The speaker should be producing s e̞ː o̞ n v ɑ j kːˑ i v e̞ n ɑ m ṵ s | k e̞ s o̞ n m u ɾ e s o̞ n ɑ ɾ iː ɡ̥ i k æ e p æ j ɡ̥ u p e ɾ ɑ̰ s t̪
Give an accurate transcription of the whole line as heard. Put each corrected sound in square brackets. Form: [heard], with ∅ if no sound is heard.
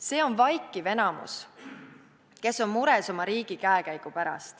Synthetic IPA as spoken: s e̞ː o̞ n v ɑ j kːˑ i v e̞ n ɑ m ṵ s | k e̞ s o̞ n m u ɾ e s o̞ [m] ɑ ɾ iː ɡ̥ i k æ e [k] æ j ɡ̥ u p [æ] ɾ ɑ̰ s t̪